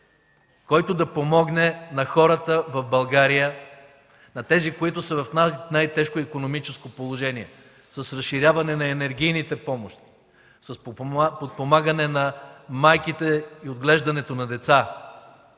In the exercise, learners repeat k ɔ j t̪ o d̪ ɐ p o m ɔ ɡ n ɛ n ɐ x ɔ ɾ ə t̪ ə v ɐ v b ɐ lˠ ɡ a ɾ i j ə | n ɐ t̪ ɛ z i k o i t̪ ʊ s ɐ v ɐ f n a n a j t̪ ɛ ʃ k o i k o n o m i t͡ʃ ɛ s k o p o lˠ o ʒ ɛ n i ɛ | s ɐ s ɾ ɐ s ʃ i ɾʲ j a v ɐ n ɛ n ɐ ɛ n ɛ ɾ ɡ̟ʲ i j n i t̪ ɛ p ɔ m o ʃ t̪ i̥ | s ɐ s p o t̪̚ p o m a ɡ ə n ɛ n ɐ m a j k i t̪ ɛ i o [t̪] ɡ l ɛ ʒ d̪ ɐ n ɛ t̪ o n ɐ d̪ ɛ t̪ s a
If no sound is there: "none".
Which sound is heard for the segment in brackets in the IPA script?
d̪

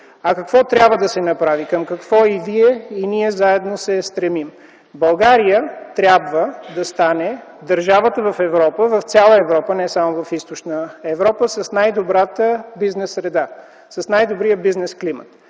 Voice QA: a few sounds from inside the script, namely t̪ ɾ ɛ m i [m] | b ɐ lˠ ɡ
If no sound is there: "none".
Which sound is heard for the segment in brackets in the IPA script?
m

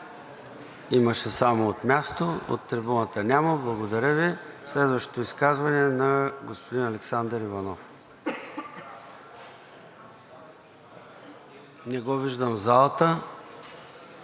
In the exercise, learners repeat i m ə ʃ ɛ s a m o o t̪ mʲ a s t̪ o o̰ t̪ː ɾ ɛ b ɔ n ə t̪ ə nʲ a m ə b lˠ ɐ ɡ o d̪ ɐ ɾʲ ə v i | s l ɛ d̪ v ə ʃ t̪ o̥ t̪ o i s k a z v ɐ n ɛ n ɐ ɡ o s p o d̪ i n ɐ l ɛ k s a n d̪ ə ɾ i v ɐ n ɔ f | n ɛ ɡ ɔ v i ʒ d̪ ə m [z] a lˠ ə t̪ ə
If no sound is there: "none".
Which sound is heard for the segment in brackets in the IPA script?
z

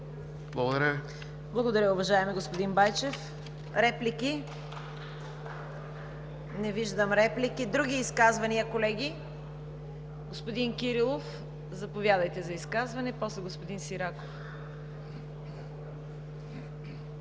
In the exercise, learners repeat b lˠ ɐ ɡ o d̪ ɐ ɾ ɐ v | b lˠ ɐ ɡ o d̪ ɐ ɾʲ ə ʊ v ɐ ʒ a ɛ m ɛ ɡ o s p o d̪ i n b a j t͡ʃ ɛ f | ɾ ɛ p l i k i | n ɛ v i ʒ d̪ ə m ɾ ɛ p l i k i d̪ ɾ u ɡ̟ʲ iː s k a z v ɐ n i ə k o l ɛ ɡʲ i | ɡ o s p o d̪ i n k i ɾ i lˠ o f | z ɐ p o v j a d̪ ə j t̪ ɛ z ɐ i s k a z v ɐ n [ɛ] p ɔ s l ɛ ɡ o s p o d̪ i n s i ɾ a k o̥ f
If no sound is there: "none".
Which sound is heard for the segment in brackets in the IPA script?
ɛ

